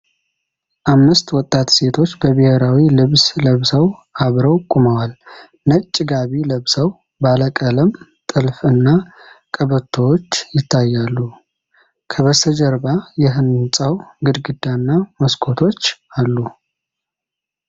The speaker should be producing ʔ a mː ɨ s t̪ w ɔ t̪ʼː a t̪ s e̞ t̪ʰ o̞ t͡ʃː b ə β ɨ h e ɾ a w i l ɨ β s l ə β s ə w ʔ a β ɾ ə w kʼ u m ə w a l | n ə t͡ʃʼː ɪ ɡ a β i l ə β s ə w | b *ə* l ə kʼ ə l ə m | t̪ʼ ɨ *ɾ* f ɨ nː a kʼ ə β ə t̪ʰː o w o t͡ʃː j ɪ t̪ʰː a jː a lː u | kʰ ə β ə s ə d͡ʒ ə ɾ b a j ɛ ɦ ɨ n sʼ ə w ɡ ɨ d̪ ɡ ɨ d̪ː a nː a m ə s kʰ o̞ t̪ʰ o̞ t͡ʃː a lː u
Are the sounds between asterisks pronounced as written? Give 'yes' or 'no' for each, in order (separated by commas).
no, no